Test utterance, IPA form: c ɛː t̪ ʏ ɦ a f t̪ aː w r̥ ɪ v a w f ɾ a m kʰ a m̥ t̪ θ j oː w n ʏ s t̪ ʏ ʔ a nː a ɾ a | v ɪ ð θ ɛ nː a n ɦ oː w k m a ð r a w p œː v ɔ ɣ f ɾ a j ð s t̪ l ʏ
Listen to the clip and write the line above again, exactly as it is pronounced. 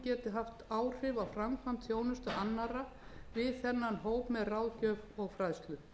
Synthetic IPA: c ɛː t̪ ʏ ɦ a f t̪ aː w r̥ ɪ v a w f ɾ a m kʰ a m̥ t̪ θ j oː w n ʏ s t̪ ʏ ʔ a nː a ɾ a | v ɪ ð θ ɛ nː a n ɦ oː w p m ɛ ð r a w c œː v ɔ ɣ f ɾ a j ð s t̪ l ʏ